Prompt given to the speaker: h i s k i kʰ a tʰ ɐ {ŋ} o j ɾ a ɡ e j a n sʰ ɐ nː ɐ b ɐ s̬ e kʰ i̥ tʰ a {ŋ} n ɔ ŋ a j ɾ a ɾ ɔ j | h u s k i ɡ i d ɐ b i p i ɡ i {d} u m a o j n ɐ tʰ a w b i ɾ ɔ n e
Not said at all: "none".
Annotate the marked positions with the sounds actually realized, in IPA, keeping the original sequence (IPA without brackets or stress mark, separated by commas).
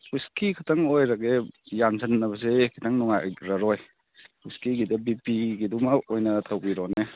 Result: ŋ, ŋ, d